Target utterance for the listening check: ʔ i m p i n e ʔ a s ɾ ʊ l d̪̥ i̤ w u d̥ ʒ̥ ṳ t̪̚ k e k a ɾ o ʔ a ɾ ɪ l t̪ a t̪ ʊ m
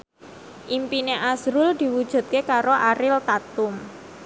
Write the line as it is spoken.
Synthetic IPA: ʔ i m p i n e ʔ a s ɾ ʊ l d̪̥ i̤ w u d̥ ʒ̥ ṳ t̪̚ k e k a ɾ o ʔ a ɾ ɪ l t̪ a t̪ ʊ m